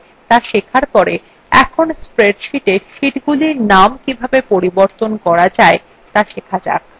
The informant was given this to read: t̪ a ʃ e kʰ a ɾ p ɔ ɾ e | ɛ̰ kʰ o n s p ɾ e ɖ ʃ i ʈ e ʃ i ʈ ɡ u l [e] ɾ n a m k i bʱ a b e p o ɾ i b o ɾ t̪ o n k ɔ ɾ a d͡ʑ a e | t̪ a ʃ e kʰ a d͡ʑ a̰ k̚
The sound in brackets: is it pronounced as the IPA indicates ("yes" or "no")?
no